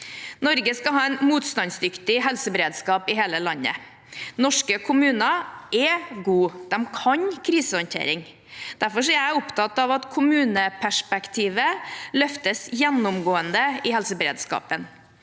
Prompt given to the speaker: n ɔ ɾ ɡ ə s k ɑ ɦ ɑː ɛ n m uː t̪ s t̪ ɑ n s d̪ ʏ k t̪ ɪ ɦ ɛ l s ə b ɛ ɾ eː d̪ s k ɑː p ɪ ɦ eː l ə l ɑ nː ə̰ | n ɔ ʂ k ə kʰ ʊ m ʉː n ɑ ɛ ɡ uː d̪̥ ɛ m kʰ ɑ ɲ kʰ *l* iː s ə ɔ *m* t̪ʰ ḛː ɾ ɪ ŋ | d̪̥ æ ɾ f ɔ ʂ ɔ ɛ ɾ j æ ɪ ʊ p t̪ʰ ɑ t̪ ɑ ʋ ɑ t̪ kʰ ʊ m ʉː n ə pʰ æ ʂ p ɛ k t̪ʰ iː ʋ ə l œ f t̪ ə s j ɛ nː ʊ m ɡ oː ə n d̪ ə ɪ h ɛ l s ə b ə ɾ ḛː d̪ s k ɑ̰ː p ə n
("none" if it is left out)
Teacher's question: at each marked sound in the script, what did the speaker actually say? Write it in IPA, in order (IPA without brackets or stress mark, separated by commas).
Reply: ɾ, n